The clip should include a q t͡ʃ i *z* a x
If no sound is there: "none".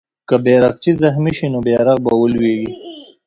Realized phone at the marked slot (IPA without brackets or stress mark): z